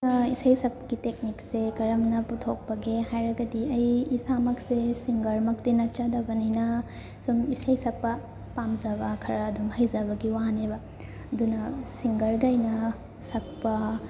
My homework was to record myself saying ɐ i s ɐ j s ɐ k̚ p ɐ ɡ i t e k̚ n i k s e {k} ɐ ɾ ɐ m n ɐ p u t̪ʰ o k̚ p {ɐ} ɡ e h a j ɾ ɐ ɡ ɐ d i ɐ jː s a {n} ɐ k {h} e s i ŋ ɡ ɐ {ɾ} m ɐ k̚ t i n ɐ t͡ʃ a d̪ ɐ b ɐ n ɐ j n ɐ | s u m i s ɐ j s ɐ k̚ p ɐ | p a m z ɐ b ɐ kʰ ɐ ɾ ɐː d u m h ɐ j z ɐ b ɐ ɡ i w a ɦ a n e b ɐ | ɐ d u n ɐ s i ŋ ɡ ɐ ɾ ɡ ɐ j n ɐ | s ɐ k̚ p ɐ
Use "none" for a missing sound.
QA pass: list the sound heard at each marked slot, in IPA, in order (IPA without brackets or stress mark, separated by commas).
k, ɐ, m, s, ɾ